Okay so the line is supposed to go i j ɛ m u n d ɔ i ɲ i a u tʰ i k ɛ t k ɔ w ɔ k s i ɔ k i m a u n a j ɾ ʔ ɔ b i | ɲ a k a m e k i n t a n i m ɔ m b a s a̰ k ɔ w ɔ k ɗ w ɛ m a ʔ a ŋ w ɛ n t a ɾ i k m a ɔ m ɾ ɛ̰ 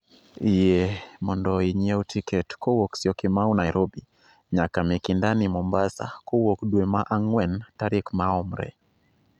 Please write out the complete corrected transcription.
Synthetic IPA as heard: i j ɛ m ɔ n d ɔ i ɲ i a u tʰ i k ɛ t k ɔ w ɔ k s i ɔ k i m a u n a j ɾ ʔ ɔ b i | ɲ a k a m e k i n d a n i m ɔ m b a s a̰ k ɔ w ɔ k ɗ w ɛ m a ʔ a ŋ w ɛ n t a ɾ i k m a ɔ m ɾ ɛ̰